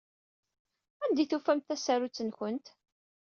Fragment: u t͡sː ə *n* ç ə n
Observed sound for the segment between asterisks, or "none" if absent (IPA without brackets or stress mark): n